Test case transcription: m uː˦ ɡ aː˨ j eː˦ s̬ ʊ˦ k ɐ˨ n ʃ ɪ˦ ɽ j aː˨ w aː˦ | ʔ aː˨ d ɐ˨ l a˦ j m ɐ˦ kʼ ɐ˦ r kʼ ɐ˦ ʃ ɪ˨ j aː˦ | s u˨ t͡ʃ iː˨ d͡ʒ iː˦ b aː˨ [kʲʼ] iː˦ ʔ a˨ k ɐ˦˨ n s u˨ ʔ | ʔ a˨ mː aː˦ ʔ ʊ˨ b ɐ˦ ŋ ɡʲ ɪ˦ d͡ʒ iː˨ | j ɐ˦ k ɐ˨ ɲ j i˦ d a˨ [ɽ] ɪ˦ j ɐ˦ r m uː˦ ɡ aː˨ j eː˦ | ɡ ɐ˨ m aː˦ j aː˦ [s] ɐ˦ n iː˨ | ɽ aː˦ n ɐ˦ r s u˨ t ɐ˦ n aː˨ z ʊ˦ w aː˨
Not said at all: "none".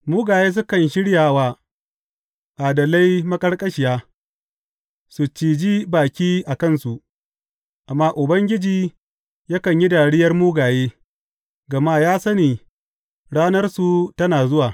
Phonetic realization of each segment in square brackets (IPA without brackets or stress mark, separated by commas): kʲ, ɽ, s